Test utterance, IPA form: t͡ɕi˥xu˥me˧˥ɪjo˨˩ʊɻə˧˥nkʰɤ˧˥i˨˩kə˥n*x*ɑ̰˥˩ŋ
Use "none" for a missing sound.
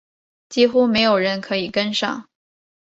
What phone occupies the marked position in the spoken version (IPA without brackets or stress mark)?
ʂ